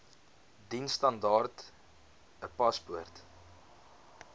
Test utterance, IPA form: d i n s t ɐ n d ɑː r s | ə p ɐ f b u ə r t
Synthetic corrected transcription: d i n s t ɐ n d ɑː r t | ə p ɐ s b u ə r t